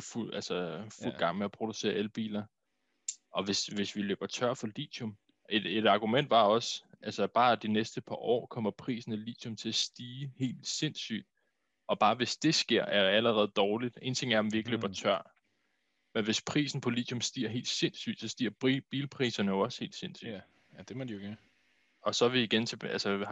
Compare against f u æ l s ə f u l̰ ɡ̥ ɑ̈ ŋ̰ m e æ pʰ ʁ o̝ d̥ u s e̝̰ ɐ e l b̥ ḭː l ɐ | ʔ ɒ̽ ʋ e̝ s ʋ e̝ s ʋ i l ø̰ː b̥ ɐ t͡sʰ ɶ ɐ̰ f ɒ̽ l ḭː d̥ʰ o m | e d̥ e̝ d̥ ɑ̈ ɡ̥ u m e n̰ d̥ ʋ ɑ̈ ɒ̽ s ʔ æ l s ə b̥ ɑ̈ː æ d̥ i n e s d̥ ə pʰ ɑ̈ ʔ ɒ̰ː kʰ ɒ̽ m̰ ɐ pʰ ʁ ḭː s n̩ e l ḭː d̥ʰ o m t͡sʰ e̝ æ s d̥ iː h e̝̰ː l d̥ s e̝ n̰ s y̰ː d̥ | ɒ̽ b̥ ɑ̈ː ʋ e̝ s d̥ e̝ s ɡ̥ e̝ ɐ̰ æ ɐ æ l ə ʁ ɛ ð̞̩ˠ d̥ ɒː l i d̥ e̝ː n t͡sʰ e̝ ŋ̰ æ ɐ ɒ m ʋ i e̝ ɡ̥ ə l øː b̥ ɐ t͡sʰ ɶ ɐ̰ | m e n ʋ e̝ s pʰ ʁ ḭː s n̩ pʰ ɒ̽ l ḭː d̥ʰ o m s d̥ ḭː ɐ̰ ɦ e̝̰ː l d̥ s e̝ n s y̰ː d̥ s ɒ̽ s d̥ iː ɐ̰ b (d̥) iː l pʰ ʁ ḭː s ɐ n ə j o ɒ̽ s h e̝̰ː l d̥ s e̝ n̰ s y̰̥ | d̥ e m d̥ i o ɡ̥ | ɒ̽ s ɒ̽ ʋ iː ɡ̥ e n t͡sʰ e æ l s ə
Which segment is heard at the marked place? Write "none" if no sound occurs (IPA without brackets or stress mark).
b̥